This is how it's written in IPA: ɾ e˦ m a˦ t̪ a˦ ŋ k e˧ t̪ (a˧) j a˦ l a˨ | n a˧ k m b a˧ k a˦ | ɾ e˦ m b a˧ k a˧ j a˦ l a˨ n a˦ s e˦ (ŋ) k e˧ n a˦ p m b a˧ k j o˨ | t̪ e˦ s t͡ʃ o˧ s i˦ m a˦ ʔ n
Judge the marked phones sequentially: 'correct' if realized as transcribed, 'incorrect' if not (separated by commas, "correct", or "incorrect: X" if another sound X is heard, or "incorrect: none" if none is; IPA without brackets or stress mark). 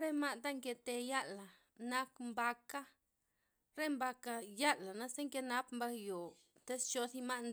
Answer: incorrect: e˧, correct